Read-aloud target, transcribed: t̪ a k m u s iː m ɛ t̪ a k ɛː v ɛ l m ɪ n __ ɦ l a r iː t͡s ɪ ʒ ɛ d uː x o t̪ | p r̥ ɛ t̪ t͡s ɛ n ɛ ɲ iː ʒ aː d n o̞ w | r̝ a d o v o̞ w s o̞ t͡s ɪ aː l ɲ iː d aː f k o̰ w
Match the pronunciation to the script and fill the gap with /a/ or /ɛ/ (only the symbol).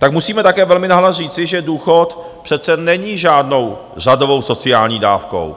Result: a